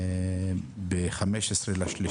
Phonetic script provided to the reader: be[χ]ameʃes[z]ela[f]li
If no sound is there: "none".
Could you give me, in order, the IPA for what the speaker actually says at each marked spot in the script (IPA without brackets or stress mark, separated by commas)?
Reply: χ, ʁ, ʃ